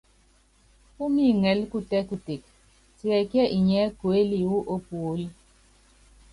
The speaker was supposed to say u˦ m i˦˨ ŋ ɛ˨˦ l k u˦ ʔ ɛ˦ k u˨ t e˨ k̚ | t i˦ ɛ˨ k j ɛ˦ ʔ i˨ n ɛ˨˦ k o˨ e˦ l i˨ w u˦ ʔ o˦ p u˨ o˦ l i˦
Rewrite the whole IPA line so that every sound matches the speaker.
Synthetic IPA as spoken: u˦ m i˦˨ ŋ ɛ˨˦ l k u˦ t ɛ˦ k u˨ t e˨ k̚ | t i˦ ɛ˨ k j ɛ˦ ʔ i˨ ɲ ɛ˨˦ k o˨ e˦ l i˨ w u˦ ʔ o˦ p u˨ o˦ l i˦

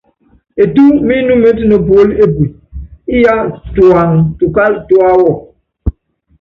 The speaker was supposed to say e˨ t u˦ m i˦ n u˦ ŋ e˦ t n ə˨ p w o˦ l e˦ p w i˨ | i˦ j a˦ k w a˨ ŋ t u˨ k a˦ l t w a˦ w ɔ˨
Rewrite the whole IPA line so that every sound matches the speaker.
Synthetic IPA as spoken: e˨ t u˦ m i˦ n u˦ m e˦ t n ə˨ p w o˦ l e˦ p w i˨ | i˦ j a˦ t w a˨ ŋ t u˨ k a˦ l t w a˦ w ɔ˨

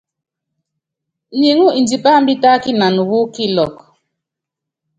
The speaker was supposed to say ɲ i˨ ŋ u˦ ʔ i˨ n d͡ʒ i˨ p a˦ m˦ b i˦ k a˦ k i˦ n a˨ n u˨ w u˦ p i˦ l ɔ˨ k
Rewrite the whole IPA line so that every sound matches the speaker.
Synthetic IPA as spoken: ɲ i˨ ŋ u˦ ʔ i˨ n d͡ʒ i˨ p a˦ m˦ b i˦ t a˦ k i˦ n a˨ n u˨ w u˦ k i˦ l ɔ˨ k

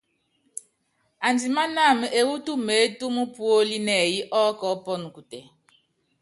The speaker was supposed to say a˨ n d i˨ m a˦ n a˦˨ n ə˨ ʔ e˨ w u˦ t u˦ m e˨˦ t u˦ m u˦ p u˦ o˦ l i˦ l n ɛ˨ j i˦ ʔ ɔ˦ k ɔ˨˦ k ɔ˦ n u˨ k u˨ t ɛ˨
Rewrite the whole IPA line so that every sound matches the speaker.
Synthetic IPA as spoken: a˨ n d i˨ m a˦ n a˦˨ m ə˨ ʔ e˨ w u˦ t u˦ m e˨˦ t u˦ m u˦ p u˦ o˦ l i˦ n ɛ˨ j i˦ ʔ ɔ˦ k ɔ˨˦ p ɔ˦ n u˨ k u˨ t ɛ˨

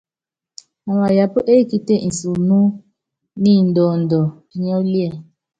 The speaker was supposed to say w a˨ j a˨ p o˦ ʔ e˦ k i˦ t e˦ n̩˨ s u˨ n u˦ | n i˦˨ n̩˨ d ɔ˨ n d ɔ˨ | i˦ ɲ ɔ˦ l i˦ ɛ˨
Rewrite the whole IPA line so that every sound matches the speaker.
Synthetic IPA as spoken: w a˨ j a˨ p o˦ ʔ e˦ k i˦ t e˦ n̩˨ s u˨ n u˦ | n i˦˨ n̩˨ d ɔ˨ n d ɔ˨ | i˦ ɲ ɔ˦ l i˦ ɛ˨

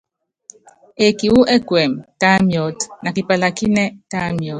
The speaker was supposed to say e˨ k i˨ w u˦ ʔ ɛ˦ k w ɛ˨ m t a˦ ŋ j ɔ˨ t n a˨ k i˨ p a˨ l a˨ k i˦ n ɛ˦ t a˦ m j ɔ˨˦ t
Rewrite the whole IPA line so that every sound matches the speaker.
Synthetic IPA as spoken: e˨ k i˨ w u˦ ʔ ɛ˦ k w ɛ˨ m t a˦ m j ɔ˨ t n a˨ k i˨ p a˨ l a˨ k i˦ n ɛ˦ t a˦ m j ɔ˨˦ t

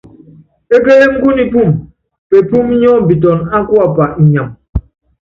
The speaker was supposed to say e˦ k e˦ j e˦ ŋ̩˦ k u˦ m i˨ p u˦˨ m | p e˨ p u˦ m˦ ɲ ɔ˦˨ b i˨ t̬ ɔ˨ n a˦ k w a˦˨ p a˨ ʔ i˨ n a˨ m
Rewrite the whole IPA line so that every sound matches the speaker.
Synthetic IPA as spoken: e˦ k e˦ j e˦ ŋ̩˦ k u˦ n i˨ p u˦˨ m | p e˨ p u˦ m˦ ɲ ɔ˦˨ b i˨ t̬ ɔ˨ n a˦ k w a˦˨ p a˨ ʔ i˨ ɲ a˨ m

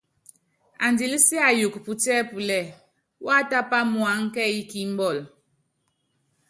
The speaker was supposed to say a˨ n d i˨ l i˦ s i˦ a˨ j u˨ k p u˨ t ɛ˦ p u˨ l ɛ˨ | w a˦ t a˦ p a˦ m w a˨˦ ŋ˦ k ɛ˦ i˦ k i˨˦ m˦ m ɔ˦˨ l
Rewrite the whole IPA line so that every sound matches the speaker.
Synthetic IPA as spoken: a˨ n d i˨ l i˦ s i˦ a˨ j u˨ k p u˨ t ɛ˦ p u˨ l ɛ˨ | w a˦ t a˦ p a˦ m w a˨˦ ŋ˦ k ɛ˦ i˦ k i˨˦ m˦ b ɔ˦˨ l

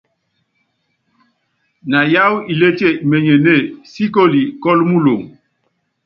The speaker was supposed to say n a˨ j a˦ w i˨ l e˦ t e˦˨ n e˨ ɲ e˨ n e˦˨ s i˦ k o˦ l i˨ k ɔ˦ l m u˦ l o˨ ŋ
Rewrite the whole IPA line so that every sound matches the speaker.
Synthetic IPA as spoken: n a˨ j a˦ w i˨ l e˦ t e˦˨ m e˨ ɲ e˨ n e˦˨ s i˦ k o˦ l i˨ k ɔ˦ l m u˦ l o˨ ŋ

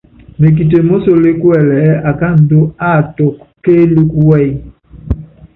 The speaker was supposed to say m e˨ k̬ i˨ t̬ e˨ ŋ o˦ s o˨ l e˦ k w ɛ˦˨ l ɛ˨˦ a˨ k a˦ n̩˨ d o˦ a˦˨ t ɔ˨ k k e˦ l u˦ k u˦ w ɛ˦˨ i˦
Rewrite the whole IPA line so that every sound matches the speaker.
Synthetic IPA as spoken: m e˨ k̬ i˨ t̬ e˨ m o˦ s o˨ l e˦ k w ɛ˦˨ l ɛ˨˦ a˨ k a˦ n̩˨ d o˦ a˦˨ t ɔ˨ k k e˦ l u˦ k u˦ w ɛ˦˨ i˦

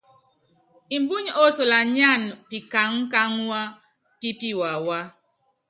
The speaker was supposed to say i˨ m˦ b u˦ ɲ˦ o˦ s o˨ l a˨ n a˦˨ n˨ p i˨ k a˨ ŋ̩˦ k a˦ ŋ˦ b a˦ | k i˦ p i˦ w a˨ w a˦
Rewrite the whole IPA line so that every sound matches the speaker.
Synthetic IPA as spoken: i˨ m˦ b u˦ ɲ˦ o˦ s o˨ l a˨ ɲ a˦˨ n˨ p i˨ k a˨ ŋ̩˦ k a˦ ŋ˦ w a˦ | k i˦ p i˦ w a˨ w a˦

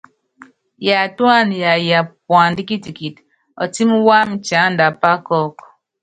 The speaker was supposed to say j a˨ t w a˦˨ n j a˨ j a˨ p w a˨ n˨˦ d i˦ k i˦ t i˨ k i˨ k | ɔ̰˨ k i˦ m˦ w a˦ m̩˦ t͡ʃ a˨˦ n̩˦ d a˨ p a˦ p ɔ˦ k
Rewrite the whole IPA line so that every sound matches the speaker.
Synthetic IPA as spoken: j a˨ t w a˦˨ n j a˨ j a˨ p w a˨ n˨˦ d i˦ k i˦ t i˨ k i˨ t | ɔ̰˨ t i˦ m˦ w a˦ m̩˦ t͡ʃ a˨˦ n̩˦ d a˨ p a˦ k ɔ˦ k

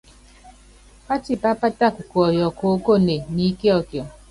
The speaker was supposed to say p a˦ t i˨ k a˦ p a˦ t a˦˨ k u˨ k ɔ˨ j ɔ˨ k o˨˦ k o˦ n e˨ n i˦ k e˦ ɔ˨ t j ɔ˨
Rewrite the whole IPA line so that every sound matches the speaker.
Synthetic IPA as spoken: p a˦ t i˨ p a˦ p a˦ t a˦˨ k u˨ k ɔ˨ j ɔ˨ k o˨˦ k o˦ n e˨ n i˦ k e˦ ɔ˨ k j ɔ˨

